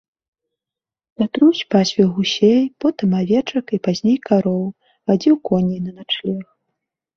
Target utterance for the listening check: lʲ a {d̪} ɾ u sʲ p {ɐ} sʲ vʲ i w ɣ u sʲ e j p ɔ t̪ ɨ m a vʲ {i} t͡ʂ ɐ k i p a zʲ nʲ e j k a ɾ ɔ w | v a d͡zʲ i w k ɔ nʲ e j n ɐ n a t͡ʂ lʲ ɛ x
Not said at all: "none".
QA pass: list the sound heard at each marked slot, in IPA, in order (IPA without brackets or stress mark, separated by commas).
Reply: t̪, a, ɛ